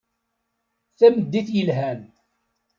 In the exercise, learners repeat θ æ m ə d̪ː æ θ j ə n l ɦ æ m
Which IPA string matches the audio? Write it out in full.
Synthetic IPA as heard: θ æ m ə d̪ː i θ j ə l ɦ æ n